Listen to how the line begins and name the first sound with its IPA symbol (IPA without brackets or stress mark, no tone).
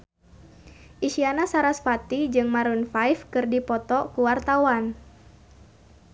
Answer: ʔ